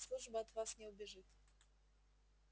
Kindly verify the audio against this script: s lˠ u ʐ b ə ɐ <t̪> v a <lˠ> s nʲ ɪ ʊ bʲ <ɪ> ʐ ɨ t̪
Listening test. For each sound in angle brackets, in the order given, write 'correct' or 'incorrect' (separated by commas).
correct, incorrect, correct